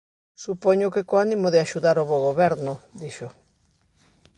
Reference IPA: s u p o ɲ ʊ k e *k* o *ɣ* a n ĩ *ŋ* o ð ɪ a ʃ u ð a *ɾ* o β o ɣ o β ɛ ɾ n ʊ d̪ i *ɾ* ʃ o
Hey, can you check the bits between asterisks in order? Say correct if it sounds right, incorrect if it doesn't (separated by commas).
correct, incorrect, incorrect, correct, incorrect